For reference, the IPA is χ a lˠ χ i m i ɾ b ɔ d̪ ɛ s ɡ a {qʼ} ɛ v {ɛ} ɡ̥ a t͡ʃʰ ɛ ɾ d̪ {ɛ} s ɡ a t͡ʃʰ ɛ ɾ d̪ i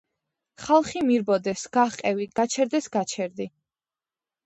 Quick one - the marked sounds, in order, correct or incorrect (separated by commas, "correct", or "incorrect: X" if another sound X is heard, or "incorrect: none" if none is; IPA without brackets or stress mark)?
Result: correct, incorrect: i, correct